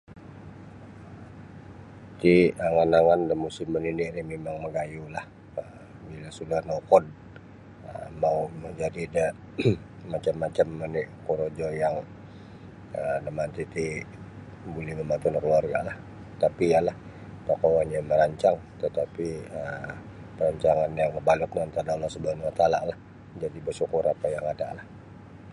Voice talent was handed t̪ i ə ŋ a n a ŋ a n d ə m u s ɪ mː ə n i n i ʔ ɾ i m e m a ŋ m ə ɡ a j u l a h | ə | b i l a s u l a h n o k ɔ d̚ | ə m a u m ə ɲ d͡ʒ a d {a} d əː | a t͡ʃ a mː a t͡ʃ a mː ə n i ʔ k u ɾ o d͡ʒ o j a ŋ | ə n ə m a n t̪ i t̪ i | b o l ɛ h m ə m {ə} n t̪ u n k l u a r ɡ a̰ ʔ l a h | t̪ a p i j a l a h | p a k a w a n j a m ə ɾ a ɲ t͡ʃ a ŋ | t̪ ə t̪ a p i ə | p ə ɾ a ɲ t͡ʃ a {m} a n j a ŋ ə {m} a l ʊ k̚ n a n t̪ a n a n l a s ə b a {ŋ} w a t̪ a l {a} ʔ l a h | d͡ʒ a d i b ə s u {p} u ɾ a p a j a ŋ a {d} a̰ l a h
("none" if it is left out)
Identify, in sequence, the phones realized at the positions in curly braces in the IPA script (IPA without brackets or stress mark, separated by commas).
i, a, ŋ, b, n, a, k, d